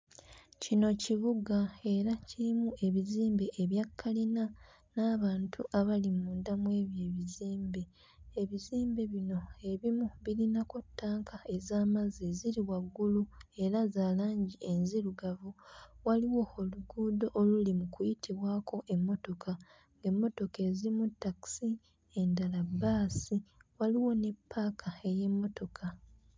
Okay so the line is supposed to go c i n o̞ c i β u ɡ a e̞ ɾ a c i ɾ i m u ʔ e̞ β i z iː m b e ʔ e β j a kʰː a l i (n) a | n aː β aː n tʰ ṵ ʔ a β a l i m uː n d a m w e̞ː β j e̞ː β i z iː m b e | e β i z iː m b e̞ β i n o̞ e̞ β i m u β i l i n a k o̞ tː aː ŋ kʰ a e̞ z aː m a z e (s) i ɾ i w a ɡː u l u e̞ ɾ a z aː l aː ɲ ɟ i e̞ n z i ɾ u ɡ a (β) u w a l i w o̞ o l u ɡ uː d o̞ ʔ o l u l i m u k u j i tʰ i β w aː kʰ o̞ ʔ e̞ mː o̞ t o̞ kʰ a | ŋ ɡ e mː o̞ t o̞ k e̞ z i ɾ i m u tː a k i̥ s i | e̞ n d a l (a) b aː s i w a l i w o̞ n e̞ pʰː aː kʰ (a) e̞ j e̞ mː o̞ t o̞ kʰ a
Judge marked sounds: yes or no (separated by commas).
yes, no, no, yes, yes